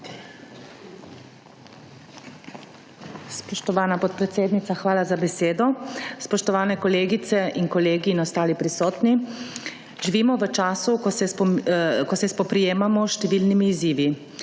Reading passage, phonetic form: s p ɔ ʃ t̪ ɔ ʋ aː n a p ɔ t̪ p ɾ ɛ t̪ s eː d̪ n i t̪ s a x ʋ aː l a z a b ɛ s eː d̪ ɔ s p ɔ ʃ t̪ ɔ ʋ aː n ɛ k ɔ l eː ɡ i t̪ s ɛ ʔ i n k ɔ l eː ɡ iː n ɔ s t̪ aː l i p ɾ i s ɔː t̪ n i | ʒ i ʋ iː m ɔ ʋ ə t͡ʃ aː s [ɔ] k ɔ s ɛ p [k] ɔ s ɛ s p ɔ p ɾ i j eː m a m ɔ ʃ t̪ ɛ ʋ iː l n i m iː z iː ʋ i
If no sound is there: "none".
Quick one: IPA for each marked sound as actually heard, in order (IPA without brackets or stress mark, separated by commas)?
u, k